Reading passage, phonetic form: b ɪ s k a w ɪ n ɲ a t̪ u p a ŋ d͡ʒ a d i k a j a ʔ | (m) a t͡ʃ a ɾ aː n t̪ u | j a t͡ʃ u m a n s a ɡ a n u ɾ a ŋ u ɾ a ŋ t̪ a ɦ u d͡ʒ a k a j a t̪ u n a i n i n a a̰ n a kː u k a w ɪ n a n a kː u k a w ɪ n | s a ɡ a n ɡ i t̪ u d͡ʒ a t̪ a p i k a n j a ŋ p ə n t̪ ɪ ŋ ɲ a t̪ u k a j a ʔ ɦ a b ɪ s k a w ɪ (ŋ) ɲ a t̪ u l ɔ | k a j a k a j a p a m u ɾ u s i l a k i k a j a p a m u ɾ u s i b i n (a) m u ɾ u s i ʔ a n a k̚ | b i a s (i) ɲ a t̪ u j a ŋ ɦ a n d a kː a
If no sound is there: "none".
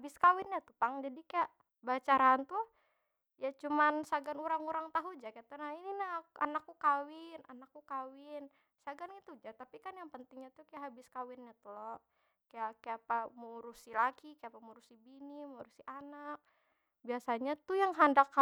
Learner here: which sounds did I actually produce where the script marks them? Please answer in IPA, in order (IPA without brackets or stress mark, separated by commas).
b, n, i, a